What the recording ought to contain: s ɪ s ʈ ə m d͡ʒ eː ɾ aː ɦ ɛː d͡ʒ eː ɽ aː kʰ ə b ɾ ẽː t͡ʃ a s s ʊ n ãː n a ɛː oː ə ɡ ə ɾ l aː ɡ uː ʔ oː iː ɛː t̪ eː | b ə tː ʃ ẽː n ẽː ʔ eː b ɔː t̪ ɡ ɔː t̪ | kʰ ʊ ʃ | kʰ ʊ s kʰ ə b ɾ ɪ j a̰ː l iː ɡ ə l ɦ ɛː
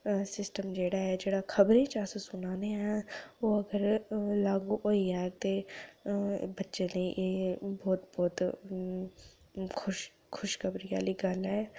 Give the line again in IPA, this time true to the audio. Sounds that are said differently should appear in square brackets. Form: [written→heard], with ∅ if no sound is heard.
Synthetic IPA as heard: s ɪ s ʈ ə m d͡ʒ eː [ɾ→ɽ] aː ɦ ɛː d͡ʒ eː ɽ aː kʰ ə b ɾ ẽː t͡ʃ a s s ʊ n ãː n [a→e] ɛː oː ə ɡ ə ɾ l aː ɡ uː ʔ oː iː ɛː t̪ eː | b ə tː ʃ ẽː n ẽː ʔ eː b ɔː t̪ [ɡ→b] ɔː t̪ | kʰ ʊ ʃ | kʰ ʊ [s→ʃ] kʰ ə b ɾ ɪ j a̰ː l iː ɡ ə l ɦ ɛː